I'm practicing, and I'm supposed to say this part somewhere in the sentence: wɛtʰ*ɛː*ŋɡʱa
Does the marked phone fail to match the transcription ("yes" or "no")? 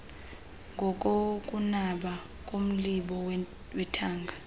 yes